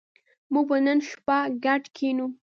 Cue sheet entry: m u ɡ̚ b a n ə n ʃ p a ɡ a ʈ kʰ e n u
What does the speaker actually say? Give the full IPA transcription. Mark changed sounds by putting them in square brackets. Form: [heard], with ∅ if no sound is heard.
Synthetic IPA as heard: m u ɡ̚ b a n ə n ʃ p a ɡ a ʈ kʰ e n u

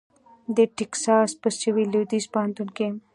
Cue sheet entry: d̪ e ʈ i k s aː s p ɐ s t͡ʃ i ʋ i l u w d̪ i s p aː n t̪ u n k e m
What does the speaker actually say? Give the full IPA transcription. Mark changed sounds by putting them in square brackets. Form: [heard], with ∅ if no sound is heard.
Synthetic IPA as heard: d̪ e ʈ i k s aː s p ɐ s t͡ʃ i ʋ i l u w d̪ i s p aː n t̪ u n k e m

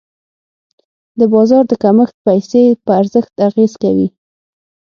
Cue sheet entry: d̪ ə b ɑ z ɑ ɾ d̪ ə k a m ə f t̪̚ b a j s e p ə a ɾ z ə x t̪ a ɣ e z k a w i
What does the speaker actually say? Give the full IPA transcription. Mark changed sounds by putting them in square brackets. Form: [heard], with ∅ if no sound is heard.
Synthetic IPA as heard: d̪ ə b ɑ z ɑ ɾ d̪ ə k a m ə [x] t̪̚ [p] a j s e p ə a ɾ z ə x t̪ a ɣ e z k a w i

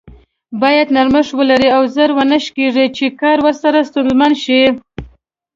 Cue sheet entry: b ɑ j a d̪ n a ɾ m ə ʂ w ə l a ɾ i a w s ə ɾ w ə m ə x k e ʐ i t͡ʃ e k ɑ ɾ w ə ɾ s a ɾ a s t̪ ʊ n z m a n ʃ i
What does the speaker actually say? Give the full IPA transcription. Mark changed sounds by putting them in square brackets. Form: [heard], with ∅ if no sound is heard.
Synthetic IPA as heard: b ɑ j a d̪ n a ɾ m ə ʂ w ə l a ɾ i a w [z] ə ɾ w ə [n] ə [ʃ] k e ʐ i t͡ʃ e k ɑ ɾ w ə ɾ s a ɾ a s t̪ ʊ n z m a n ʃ i

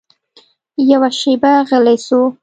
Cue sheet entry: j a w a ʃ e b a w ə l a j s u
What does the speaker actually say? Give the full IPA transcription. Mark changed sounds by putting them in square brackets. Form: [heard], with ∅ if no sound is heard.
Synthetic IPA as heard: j a w a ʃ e b a [ɣ] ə l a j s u

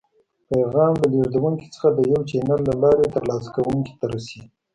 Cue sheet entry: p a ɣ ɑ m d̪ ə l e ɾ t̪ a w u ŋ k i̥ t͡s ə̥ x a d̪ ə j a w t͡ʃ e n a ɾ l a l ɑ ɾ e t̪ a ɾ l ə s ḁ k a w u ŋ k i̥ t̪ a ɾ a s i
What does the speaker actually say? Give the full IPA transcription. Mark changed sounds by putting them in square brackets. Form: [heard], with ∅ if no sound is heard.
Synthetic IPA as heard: p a ɣ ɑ m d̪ ə l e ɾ [d̪] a w u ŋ k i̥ t͡s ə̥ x a d̪ ə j a w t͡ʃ e n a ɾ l a l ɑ ɾ e t̪ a ɾ l [ɑ] s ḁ k a w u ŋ k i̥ t̪ a ɾ a s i

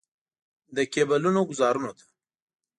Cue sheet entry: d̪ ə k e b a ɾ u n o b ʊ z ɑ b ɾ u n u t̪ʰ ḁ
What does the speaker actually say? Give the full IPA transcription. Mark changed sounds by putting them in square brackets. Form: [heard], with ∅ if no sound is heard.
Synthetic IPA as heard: d̪ ə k e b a [l] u n o [ɡ] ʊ z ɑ [∅] ɾ u n [o] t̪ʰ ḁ

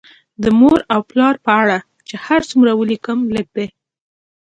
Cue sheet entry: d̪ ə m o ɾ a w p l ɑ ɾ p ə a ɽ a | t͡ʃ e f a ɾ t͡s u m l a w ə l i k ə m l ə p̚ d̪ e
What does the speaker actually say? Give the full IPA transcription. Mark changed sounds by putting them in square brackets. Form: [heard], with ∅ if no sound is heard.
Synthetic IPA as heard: d̪ ə m o ɾ a w p l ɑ ɾ p ə a ɽ a | t͡ʃ e [h] a ɾ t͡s u m [ɾ] a w ə l i k ə m l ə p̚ d̪ e

